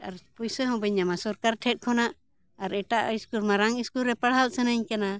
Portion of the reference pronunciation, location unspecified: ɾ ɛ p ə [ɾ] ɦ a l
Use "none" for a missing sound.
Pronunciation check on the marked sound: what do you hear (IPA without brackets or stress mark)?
ɽ